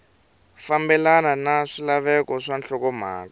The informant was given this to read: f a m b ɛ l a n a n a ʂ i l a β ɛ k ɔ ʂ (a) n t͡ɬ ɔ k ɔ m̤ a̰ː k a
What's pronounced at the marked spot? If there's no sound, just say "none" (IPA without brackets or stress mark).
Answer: a